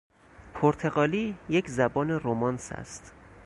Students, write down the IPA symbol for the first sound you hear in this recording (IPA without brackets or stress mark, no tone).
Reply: pʰ